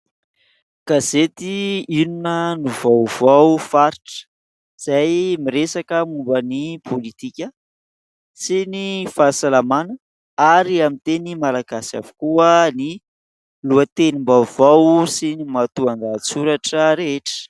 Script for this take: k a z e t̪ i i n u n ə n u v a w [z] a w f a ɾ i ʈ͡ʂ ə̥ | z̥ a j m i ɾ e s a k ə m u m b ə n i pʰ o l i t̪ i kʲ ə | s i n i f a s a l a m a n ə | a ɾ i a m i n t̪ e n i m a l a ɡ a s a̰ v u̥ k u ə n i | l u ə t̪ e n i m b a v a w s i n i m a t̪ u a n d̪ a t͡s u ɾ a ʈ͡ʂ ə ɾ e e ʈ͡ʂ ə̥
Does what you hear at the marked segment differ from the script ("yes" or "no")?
yes